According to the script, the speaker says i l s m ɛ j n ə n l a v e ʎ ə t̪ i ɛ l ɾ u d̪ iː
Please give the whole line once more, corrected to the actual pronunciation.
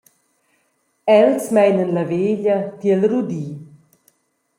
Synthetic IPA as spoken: ɛ l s m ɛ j n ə n l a v e ʎ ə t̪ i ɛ l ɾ u d̪ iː